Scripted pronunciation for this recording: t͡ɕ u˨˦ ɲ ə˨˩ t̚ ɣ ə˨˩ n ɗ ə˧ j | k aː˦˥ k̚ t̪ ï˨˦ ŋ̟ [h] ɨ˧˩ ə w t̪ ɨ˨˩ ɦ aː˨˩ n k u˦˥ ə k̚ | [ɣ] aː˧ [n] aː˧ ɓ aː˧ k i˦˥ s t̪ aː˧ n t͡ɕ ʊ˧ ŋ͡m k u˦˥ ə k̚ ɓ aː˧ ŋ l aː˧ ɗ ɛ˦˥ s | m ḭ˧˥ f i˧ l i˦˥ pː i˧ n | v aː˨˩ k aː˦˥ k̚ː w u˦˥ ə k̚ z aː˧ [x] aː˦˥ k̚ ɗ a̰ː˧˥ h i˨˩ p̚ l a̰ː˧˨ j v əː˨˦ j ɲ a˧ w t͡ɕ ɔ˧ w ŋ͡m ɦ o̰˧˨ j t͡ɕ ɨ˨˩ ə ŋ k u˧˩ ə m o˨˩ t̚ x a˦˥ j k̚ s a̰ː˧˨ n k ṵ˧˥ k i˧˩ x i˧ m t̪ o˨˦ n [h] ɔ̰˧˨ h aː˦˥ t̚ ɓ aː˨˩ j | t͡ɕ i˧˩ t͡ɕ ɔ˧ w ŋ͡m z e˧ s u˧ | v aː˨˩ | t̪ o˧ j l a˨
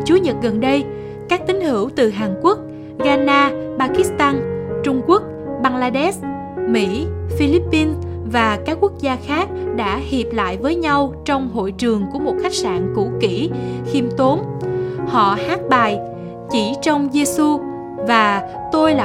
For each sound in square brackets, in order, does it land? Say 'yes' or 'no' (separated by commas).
yes, yes, yes, yes, yes